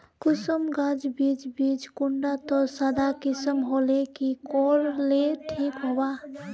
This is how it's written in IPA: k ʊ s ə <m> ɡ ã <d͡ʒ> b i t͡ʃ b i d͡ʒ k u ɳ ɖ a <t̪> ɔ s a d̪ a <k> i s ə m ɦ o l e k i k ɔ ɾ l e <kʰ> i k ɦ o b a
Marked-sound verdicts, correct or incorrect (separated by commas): correct, correct, correct, correct, incorrect